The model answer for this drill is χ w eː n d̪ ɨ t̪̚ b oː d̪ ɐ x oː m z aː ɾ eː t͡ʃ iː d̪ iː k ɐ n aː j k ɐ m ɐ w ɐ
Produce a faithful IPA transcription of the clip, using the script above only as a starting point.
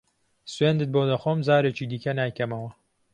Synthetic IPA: s w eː n d̪ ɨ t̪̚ b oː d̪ ɐ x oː m z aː ɾ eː t͡ʃ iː d̪ iː k ɐ n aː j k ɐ m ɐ w ɐ

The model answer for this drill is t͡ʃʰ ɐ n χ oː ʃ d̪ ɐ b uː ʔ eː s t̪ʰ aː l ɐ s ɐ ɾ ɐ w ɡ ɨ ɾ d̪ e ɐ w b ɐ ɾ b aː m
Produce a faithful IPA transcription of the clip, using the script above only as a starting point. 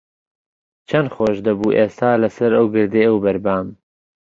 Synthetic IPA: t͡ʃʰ ɐ n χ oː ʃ d̪ ɐ b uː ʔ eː s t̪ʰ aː l ɐ s ɐ ɾ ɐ w ɡ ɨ ɾ d̪ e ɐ w b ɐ ɾ b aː m

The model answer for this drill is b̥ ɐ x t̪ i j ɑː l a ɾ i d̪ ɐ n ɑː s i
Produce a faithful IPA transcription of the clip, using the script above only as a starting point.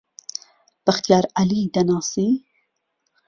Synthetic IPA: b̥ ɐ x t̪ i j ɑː ɾ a l i d̪ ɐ n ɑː s i

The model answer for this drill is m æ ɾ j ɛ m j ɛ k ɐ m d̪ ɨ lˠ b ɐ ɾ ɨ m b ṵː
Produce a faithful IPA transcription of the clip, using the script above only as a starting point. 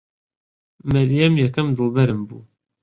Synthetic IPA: m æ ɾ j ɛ m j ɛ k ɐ m d̪ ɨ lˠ b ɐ ɾ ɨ m b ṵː

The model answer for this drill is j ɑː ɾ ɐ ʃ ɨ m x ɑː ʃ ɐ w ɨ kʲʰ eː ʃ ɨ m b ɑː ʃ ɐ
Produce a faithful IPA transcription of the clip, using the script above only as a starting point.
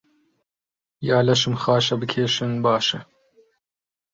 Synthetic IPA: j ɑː l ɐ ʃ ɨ m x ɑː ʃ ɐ b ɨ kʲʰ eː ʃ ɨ n b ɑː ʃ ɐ

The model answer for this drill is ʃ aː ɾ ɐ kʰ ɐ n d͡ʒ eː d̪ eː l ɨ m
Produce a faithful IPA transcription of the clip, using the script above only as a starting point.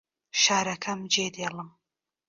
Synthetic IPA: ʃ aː ɾ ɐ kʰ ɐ m d͡ʒ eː d̪ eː l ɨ m

